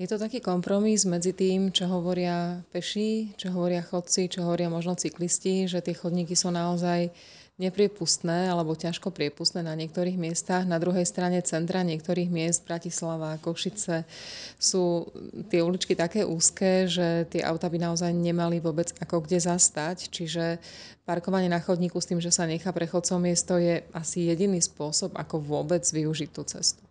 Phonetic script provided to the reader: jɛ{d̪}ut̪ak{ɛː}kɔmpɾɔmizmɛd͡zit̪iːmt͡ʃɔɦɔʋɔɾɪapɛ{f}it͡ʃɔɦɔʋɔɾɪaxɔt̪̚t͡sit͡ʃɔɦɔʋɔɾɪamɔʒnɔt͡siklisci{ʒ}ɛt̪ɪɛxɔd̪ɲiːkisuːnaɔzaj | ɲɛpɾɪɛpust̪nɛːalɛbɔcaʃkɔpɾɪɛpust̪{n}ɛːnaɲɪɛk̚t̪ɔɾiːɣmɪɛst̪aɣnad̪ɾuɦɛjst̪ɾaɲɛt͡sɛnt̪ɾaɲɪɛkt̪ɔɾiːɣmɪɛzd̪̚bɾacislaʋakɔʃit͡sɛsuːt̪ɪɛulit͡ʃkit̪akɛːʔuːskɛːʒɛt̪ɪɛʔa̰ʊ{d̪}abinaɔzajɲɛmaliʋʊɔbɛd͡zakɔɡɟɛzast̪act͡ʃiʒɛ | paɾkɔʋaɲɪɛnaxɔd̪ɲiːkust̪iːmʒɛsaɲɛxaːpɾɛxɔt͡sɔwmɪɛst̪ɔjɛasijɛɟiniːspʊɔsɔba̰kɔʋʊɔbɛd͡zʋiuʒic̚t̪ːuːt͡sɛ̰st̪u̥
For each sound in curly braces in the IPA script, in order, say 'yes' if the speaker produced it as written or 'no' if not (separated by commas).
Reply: no, no, no, yes, yes, no